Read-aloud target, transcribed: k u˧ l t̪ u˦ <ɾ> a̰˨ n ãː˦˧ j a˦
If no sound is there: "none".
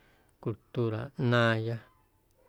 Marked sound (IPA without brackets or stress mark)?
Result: ɾ